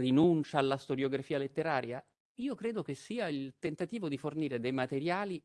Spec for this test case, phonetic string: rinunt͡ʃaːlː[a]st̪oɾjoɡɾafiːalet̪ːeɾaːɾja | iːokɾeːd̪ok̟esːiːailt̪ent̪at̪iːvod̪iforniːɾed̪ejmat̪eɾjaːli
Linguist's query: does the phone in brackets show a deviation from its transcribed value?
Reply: no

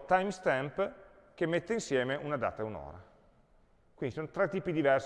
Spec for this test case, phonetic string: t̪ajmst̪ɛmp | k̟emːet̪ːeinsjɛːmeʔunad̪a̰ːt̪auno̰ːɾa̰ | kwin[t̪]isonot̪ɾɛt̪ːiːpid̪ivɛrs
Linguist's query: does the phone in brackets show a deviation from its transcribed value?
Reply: yes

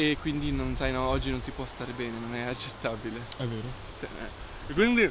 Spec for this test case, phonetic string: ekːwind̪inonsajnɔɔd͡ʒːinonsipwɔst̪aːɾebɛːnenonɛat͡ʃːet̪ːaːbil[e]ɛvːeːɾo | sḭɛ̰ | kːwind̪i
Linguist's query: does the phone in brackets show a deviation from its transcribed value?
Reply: no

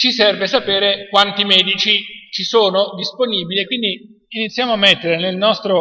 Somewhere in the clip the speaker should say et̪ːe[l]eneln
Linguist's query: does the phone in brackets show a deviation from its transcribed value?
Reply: yes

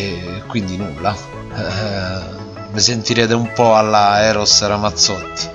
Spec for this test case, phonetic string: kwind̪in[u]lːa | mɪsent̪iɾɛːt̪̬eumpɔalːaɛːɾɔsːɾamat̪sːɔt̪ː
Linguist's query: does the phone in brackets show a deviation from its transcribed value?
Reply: no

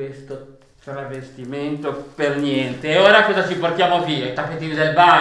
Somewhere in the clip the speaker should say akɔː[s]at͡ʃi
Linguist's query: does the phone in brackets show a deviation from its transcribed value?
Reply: yes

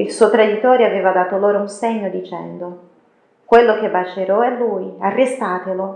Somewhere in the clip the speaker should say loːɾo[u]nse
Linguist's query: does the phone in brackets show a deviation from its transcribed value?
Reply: no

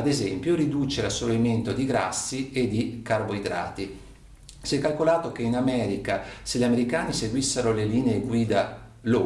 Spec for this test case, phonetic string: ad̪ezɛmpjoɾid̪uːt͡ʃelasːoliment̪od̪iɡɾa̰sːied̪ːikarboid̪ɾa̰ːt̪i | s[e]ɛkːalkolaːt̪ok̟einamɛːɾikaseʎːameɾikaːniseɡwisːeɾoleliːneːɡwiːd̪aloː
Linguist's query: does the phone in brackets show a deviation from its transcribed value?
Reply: yes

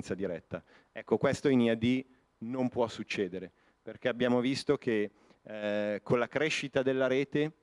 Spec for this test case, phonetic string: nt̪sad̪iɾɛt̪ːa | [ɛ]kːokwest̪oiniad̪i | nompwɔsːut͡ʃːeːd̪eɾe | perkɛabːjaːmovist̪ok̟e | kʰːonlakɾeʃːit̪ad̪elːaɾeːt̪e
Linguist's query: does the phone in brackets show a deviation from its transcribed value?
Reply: no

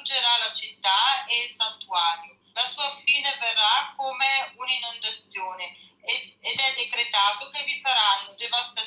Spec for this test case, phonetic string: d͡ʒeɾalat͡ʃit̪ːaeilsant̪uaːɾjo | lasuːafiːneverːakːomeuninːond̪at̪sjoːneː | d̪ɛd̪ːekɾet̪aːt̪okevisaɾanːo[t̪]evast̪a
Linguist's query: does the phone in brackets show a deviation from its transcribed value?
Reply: yes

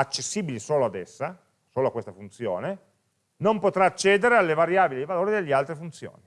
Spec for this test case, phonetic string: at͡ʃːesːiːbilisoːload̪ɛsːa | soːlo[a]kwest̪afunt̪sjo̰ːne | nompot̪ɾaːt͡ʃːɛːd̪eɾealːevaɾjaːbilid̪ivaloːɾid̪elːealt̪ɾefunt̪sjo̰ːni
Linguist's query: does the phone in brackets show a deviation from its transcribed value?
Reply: no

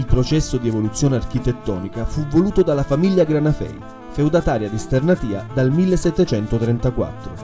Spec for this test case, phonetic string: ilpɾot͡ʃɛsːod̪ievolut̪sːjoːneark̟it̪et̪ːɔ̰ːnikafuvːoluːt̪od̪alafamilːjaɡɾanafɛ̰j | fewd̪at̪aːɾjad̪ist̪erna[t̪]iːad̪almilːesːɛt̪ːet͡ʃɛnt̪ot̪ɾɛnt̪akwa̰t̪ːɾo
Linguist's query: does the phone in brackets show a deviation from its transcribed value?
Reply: no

